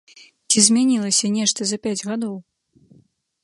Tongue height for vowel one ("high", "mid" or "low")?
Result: high